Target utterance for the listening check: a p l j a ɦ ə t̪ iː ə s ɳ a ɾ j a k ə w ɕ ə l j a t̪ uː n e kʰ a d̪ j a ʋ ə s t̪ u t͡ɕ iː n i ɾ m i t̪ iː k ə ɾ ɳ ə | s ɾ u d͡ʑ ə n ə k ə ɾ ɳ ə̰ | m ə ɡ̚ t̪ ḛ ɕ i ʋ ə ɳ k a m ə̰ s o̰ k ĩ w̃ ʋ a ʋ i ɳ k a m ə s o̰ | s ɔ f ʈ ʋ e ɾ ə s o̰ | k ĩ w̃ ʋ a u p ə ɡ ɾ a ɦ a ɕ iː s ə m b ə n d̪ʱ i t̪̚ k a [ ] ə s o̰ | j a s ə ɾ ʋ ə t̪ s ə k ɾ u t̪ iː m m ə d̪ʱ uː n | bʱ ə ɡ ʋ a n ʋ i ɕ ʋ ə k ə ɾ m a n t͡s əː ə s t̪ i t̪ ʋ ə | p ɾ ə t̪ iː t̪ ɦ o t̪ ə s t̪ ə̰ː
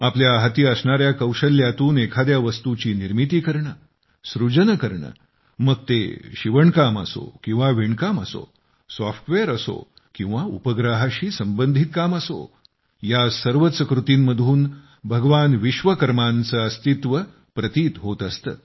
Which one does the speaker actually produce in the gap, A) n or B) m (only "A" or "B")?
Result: B